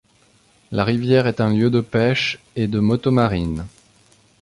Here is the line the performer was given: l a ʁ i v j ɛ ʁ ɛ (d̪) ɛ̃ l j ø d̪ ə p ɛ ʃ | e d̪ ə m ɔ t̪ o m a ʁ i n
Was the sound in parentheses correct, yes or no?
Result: no